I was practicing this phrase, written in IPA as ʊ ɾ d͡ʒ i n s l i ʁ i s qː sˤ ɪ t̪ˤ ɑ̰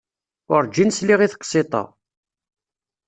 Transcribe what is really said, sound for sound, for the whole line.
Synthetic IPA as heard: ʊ ɾ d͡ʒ i n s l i ʁ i θ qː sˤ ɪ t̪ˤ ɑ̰